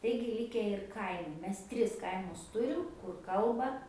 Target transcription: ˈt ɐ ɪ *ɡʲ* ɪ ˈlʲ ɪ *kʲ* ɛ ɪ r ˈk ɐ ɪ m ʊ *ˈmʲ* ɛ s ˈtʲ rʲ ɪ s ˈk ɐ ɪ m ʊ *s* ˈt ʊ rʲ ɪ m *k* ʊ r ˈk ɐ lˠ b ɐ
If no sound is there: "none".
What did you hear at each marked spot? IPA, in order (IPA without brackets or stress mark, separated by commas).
ɡʲ, kʲ, mʲ, s, k